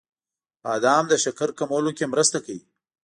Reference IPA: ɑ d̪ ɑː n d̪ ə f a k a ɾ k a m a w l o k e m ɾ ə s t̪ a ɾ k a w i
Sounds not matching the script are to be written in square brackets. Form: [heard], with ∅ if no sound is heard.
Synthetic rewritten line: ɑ d̪ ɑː [m] d̪ ə [ʃ] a k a ɾ k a m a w l o k e m ɾ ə s t̪ a [∅] k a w i